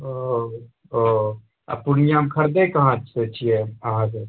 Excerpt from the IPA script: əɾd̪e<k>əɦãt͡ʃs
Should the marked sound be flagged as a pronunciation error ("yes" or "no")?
no